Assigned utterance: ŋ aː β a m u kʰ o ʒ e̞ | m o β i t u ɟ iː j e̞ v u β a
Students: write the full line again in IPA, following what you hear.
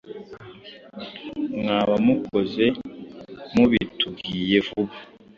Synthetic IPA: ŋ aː β a m u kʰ o z e̞ | m u β i t u ɡ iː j e̞ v u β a